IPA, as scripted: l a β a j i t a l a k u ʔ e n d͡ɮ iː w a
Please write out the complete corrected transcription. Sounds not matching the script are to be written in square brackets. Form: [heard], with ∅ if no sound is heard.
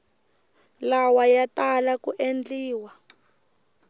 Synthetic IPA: l a [w] a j [a] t a l a k u ʔ e n d͡ɮ iː w a